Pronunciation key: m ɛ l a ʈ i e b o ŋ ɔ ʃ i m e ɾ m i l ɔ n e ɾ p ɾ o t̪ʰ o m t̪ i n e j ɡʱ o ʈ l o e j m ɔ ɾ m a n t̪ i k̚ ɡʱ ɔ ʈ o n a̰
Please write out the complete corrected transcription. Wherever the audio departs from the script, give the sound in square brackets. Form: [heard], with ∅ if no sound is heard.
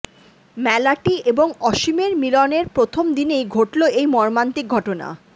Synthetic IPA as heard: m ɛ l a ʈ i e b o ŋ ɔ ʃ i m e ɾ m i l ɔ n e ɾ p ɾ o t̪ʰ o m [d̪] i n e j ɡʱ o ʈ l o e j m ɔ ɾ m a n t̪ i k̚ ɡʱ ɔ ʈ o n a̰